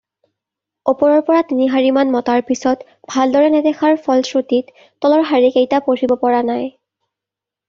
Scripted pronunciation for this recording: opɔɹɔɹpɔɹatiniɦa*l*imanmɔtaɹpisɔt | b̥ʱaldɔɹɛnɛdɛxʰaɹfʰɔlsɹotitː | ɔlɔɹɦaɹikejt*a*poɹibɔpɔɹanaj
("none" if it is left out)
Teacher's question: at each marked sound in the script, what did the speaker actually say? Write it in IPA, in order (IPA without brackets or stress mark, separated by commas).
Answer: ɹ, a